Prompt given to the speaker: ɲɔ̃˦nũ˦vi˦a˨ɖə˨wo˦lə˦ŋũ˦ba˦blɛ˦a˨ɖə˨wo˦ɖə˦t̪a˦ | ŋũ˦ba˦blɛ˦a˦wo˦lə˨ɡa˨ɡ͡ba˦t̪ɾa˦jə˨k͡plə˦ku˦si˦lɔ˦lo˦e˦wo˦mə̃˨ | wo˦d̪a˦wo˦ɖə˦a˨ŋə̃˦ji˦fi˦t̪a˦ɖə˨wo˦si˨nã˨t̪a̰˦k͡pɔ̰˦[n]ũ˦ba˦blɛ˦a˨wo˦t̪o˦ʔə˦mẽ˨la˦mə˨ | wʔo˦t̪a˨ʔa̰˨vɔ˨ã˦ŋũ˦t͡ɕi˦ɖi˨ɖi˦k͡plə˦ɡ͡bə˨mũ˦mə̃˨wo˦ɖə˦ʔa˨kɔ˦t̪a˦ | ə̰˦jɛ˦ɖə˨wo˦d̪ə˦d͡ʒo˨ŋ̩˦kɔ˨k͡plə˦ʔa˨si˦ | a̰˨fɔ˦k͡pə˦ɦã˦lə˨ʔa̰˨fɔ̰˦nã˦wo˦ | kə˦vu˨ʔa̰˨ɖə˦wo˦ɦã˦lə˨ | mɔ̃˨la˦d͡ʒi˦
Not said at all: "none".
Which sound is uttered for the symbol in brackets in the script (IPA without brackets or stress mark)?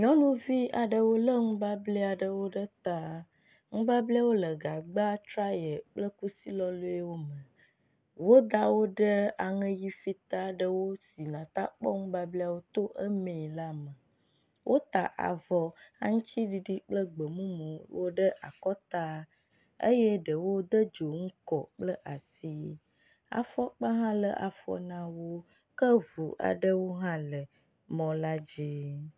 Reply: ŋ